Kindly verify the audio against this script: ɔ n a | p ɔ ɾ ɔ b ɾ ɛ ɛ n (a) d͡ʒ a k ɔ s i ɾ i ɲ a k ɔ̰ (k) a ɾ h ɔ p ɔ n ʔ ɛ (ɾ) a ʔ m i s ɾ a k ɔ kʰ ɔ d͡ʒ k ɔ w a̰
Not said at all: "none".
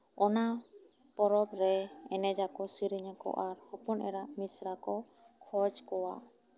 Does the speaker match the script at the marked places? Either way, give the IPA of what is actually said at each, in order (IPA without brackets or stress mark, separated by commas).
ɛ, ʔ, ɾ